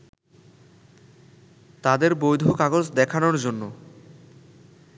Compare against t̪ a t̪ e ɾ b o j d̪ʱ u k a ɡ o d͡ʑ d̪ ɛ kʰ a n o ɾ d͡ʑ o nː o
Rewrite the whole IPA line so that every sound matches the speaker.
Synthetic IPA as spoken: t̪ a d̪ e ɾ b o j d̪ʱ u k a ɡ o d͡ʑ d̪ ɛ kʰ a n o ɾ d͡ʑ o nː o

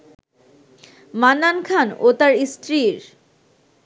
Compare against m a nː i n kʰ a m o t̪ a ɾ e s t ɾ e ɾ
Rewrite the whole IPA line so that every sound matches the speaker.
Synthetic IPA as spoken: m a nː a n kʰ a n o t̪ a ɾ i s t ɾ i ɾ

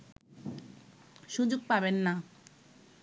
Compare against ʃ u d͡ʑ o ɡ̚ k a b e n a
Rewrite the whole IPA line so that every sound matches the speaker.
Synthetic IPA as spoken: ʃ u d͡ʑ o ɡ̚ p a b e nː a

